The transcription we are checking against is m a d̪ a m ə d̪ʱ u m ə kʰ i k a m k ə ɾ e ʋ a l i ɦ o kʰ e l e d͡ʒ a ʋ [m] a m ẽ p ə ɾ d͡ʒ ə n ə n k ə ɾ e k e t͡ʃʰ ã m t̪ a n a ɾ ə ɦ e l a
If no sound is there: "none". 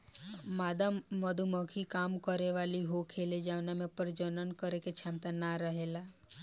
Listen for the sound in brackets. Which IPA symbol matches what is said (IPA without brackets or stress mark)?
n